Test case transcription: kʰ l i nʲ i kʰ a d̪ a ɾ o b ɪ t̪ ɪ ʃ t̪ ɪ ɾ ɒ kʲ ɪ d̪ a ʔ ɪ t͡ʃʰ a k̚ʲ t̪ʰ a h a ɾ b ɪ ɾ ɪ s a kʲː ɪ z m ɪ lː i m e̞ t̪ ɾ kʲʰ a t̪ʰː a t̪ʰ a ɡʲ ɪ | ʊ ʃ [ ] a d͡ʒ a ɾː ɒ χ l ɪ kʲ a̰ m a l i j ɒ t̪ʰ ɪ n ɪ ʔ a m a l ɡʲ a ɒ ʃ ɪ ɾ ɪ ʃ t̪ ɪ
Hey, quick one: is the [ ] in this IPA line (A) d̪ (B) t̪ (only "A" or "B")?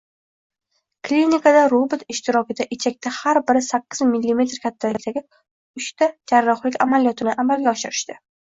B